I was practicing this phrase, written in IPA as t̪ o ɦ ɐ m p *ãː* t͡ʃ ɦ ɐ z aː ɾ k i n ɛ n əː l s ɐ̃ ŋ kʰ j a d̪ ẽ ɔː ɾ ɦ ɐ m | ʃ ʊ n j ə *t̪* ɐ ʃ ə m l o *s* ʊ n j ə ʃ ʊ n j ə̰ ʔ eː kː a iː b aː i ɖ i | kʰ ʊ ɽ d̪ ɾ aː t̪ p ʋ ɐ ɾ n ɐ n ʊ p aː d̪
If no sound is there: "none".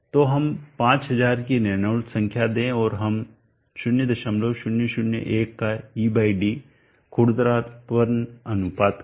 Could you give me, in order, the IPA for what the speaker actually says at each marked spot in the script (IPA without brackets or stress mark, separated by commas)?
ãː, d̪, ʃ